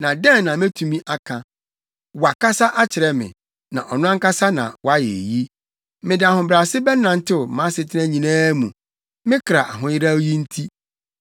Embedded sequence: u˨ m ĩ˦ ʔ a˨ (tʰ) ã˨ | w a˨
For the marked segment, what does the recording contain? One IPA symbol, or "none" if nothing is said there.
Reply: kʰ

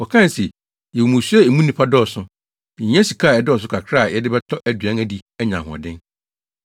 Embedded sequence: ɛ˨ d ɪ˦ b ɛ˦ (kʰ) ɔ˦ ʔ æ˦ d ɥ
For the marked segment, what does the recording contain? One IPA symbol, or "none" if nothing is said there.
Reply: tʰ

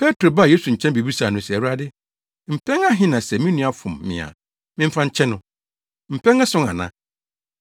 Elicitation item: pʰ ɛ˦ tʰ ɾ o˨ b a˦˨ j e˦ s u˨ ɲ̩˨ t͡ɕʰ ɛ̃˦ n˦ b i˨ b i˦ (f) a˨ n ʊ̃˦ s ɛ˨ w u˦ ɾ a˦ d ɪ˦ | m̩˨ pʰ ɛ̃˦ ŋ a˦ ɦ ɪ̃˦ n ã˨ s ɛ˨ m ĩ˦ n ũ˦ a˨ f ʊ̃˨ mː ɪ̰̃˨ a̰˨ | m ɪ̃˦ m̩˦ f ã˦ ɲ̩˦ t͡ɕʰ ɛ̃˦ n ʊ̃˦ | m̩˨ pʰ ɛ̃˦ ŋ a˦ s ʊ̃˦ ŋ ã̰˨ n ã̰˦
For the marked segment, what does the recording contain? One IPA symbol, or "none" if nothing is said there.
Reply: s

